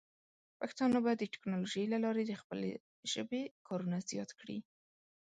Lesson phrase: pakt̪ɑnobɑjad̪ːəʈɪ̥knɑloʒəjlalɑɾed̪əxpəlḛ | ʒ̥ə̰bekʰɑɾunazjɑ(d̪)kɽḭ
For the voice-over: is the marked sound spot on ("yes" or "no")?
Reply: no